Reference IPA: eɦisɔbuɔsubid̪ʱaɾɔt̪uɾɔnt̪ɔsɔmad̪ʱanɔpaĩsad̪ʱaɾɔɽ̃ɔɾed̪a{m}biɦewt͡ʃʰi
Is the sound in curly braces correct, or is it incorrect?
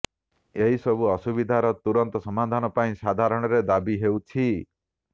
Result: incorrect